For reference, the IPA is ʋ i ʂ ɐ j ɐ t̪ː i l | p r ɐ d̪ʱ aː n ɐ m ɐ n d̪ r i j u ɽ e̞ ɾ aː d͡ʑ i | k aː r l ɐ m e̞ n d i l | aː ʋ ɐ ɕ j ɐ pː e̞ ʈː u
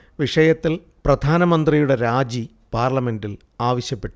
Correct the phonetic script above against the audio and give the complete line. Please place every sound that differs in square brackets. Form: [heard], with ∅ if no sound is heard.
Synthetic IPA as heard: ʋ i ʂ ɐ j ɐ t̪ː i l | p r ɐ d̪ʱ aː n ɐ m ɐ n d̪ r i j u ɽ e̞ ɾ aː d͡ʑ i | [p] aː r l ɐ m e̞ n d i l | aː ʋ ɐ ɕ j ɐ pː e̞ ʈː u